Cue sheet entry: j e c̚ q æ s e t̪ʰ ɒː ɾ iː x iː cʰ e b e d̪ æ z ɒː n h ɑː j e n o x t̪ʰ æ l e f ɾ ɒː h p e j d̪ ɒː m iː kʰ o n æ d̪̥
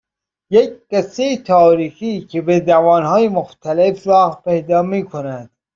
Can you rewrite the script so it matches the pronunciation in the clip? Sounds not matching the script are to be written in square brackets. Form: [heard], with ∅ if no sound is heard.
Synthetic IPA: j e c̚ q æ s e t̪ʰ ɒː ɾ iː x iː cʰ e b e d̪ æ [v] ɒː n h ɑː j e [m] o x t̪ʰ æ l e f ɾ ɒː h p e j d̪ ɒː m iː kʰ o n æ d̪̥